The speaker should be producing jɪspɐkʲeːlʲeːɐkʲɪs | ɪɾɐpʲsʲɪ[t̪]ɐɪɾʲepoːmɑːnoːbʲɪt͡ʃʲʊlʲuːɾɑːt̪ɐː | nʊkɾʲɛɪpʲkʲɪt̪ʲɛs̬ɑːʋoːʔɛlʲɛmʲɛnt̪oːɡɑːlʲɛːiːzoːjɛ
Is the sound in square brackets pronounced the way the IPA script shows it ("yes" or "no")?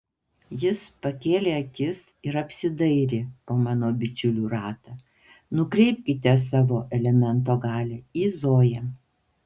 no